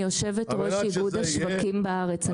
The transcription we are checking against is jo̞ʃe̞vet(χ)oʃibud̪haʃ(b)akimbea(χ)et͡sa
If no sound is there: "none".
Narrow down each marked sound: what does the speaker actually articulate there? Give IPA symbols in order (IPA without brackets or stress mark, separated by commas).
ʁ, v, ʁ